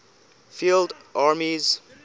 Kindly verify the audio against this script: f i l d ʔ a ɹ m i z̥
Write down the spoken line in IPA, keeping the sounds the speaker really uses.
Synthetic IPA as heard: f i l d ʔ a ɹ m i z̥